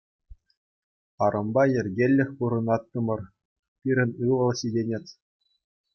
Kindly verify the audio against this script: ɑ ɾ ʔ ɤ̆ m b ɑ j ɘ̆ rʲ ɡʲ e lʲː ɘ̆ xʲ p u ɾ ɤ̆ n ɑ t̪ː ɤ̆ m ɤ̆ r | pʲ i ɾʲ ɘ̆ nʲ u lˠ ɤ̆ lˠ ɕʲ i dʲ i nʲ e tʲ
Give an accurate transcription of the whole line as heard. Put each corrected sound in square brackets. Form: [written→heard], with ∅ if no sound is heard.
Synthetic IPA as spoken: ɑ ɾ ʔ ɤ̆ m b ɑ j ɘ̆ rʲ ɡʲ e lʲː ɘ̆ xʲ p u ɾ ɤ̆ n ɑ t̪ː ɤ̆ m ɤ̆ r | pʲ i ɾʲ ɘ̆ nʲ [u→ɯ] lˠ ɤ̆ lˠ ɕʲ i dʲ [i→e] nʲ e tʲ